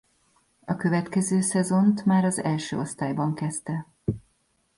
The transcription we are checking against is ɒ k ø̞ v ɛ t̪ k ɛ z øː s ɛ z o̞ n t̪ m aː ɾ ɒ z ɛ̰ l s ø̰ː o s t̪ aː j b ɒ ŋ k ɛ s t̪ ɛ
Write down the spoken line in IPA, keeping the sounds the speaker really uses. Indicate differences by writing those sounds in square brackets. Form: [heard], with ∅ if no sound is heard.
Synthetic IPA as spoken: ɒ k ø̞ v ɛ t̪ k ɛ z øː s ɛ z o̞ n t̪ m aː ɾ ɒ z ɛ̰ l [ʃ] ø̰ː o s t̪ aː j b ɒ ŋ k ɛ s t̪ ɛ